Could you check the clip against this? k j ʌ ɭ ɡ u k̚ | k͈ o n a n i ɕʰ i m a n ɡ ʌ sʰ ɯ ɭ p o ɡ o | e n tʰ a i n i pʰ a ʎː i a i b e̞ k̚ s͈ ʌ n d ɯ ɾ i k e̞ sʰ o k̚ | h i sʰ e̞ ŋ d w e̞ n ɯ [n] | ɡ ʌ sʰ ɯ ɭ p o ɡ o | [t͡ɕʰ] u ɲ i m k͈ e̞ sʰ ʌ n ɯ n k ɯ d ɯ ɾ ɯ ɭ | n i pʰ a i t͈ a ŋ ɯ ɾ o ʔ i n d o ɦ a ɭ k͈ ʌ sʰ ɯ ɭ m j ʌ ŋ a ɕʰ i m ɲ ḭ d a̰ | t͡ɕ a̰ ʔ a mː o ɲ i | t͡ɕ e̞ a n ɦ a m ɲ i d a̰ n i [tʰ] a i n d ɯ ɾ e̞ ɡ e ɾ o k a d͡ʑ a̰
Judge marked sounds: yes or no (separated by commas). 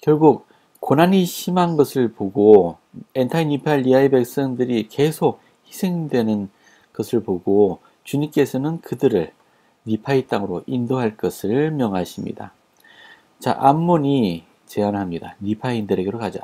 yes, no, no